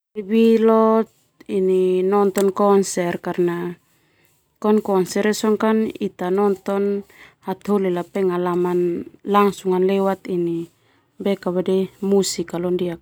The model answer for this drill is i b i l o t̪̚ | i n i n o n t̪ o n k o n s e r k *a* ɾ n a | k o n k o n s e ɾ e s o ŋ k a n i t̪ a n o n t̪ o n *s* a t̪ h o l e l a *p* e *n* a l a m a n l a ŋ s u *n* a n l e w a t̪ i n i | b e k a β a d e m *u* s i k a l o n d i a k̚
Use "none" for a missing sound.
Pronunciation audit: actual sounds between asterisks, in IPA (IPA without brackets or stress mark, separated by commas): a, h, p, ŋ, ŋ, u